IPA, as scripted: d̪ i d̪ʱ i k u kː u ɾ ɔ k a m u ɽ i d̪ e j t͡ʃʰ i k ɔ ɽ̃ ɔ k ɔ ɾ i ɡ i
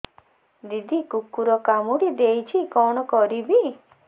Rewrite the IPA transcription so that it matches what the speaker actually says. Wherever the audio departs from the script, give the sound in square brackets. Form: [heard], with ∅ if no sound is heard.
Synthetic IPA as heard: d̪ i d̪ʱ i k u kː u ɾ ɔ k a m u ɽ i d̪ e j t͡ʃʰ i k ɔ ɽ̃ ɔ k ɔ ɾ i [b] i